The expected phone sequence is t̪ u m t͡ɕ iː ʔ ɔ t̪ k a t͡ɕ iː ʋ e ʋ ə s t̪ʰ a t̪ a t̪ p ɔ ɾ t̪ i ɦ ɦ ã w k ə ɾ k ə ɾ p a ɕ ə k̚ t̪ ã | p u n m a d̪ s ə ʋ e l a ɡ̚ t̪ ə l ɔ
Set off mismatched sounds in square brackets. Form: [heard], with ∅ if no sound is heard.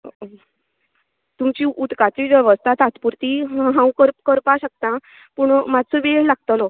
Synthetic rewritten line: t̪ u m t͡ɕ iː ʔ [u] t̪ k a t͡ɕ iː ʋ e ʋ ə s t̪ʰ a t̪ a t̪ p [u] ɾ t̪ i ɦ ɦ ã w k ə ɾ k ə ɾ p a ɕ ə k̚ t̪ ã | p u [ɳ] m a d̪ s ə ʋ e l a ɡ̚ t̪ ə l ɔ